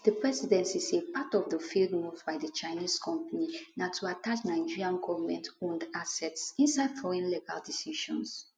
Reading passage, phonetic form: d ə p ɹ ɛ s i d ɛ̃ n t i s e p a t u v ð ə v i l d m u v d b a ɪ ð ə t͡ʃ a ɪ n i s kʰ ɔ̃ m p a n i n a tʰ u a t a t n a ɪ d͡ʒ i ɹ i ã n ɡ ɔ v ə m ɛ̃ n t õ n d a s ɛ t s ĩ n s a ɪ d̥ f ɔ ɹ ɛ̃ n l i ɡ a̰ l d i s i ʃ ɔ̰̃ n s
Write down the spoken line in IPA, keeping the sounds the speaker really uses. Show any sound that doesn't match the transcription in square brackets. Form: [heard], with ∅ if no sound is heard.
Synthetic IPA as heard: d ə p ɹ ɛ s i d ɛ̃ n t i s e p a t [ɔ] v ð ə [f] i l d m u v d b a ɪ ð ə t͡ʃ a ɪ n i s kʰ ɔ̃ m p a n i n a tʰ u a t a [t͡ʃ] n a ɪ d͡ʒ i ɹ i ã n ɡ ɔ v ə m ɛ̃ n t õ n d a s ɛ t s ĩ n s a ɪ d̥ f ɔ ɹ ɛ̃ n l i ɡ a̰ l d i s i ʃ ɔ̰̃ n s